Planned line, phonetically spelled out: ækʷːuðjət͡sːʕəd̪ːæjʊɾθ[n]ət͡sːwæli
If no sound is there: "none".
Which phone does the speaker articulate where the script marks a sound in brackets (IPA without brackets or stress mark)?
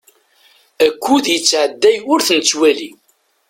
n